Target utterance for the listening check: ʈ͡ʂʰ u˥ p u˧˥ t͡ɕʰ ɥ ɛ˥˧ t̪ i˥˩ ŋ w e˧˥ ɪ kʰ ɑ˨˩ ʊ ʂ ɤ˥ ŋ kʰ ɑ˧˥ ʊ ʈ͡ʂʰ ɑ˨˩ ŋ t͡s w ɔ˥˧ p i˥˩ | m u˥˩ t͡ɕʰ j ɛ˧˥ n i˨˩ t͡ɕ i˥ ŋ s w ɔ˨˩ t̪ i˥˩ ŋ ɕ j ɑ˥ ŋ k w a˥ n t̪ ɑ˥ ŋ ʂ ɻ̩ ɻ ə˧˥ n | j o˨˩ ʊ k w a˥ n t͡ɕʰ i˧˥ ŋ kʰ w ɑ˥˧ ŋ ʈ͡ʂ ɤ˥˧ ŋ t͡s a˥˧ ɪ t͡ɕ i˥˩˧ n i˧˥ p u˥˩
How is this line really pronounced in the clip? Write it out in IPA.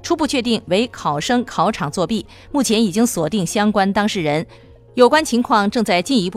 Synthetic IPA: ʈ͡ʂʰ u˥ p u˥˧ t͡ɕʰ ɥ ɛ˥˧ t̪ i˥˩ ŋ w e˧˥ ɪ kʰ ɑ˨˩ ʊ ʂ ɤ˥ ŋ kʰ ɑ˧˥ ʊ ʈ͡ʂʰ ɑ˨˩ ŋ t͡s w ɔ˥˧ p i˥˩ | m u˥˩ t͡ɕʰ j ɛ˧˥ n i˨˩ t͡ɕ i˥ ŋ s w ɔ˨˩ t̪ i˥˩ ŋ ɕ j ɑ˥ ŋ k w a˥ n t̪ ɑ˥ ŋ ʂ ɻ̩ ɻ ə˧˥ n | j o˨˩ ʊ k w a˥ n t͡ɕʰ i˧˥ ŋ kʰ w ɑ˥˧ ŋ ʈ͡ʂ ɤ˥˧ ŋ t͡s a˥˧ ɪ t͡ɕ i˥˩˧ n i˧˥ p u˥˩